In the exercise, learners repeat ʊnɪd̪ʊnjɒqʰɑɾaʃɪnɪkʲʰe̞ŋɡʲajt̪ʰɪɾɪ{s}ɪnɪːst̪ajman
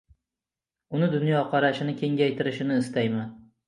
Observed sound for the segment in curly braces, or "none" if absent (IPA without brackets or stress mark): ʃ